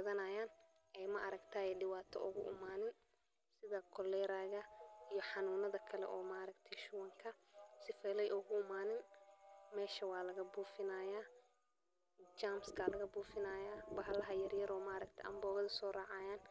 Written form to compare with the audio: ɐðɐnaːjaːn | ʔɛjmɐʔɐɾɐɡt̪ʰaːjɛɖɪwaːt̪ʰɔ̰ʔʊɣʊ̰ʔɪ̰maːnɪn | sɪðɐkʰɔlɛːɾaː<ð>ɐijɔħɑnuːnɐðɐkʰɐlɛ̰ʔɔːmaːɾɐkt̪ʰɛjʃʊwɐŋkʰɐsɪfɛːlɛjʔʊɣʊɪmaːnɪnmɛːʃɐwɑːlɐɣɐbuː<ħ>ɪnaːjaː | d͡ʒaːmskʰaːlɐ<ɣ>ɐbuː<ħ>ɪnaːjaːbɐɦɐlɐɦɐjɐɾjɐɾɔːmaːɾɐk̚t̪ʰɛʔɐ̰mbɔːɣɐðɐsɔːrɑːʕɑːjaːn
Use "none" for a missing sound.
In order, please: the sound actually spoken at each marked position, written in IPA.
ɣ, f, ɣ, f

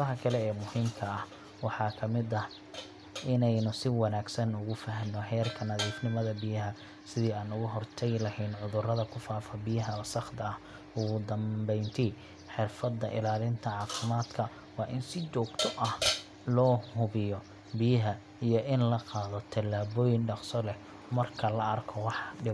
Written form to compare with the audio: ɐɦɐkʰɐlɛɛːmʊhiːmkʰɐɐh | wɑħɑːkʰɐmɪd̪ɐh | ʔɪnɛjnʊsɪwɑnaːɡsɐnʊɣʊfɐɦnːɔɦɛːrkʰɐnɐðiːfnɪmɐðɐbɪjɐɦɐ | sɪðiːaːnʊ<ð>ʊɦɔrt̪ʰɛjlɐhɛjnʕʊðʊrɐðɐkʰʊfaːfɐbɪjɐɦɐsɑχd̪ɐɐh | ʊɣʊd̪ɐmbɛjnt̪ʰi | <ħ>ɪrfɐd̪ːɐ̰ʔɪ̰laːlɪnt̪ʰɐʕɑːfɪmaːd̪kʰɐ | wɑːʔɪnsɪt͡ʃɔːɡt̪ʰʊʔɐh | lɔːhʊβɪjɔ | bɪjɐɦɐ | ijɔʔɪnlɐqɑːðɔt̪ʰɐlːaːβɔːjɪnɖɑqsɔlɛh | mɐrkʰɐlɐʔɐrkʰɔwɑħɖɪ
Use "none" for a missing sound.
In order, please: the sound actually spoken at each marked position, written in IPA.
ɣ, ħ

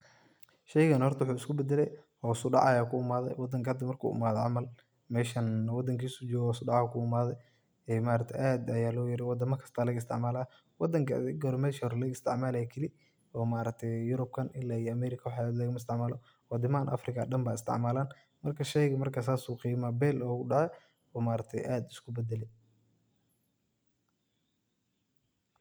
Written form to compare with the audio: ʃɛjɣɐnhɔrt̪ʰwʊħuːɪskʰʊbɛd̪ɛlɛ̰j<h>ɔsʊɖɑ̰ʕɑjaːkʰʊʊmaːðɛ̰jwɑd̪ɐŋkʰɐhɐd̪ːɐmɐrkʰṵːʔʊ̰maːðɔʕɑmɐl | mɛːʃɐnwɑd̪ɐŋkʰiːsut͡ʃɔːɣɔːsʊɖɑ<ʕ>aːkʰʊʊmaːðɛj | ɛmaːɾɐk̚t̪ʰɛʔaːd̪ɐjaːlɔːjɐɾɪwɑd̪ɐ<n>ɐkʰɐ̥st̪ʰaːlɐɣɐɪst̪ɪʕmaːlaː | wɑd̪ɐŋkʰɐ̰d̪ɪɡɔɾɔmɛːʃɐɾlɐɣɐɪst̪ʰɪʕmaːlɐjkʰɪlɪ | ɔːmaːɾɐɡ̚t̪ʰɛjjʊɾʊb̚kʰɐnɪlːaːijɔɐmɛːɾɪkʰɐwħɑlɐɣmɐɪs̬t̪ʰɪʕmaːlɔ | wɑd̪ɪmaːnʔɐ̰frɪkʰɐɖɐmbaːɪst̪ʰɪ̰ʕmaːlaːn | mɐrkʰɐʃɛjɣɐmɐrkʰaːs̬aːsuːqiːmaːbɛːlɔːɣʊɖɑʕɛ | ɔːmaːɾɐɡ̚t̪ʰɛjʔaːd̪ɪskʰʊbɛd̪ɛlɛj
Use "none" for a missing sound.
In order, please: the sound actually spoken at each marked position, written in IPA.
h, ʕ, m

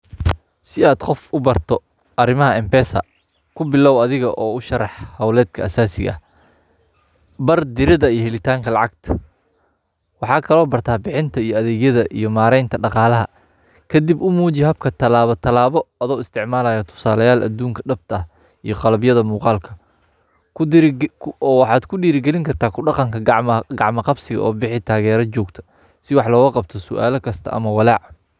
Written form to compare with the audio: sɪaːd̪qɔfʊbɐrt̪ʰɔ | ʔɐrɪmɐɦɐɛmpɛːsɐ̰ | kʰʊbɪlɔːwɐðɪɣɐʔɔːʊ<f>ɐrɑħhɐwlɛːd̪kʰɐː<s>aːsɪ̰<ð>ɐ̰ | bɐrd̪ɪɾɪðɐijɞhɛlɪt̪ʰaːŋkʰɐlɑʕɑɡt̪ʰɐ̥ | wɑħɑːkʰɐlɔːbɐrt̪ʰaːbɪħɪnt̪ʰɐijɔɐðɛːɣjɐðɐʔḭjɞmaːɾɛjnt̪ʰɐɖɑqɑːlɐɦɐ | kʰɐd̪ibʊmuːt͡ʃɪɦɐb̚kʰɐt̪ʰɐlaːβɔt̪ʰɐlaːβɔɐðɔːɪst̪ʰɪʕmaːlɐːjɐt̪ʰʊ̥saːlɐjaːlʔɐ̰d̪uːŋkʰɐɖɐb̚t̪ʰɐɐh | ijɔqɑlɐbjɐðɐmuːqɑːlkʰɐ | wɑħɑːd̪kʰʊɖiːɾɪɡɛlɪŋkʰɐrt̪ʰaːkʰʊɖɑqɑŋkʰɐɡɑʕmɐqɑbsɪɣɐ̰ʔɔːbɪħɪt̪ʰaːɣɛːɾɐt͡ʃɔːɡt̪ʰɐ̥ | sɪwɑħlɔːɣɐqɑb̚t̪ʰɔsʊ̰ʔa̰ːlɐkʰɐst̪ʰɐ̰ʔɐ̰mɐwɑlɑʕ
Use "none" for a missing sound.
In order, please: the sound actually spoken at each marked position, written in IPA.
ʃ, s, ɣ

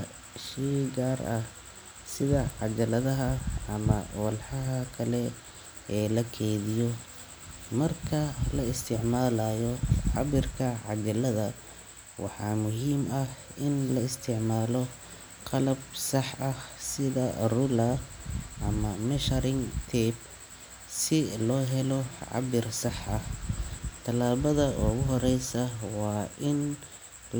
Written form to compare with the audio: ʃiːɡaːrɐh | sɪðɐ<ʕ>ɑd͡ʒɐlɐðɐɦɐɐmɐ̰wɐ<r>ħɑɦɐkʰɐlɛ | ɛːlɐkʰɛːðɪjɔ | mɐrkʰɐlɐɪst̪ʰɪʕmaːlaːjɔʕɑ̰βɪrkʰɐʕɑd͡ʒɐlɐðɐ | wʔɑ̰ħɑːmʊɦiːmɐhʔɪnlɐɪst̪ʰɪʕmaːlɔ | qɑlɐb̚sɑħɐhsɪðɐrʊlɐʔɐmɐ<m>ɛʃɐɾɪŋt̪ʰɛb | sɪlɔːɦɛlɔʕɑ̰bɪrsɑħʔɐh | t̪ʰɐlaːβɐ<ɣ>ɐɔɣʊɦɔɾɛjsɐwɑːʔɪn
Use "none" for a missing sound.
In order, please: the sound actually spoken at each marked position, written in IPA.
ʕ, l, m, ð

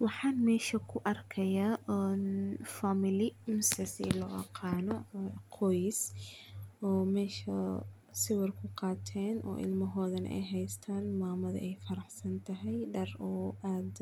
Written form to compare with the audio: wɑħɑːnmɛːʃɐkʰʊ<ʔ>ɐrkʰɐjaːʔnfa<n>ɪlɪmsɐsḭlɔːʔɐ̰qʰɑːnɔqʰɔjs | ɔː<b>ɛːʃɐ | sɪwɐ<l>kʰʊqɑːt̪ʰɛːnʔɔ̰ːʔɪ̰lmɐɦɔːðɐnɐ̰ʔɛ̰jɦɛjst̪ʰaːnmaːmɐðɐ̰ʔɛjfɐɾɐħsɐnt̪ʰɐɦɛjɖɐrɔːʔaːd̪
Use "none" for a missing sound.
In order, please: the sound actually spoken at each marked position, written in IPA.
ʔ, m, m, r

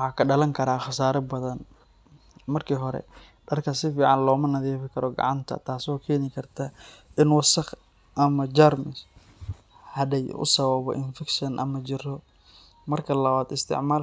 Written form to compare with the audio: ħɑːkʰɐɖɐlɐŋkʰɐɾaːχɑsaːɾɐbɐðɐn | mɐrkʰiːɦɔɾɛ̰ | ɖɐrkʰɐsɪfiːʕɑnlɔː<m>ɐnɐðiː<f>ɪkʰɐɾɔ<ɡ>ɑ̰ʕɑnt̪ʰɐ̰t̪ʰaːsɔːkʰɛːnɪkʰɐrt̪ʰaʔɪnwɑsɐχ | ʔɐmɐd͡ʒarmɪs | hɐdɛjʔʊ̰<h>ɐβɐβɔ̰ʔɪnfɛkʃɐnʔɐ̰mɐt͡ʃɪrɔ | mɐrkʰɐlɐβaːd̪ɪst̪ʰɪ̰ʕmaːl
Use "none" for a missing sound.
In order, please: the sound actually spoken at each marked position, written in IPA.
m, f, ɡ, s

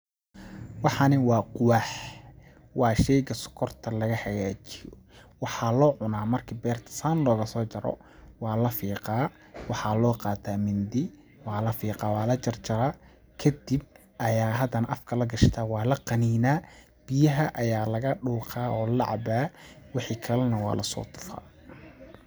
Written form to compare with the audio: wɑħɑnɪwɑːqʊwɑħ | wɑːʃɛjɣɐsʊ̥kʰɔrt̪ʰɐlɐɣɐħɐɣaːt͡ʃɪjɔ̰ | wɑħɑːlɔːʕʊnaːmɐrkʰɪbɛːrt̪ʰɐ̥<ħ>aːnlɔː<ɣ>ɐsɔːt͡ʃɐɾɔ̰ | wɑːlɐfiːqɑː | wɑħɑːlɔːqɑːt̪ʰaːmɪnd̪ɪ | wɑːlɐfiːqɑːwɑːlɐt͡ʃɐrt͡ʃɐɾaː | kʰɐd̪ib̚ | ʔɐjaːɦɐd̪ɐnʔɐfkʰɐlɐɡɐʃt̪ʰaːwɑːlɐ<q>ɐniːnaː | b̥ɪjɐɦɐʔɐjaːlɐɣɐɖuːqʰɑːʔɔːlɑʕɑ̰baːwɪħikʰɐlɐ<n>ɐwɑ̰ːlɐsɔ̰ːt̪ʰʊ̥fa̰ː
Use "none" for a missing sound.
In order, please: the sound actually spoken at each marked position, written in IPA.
s, ɣ, q, n

